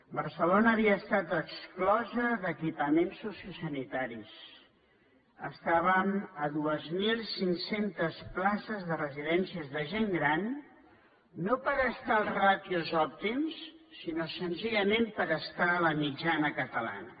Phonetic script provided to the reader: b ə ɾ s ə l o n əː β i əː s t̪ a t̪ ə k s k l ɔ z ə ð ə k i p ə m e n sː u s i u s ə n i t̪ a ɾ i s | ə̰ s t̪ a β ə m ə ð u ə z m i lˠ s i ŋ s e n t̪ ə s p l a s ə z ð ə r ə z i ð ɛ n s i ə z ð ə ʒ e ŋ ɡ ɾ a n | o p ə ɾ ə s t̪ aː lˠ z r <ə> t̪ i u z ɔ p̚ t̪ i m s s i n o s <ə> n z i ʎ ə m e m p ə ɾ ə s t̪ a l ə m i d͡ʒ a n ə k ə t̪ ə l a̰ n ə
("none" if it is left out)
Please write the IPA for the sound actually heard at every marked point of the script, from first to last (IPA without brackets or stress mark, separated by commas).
a, ə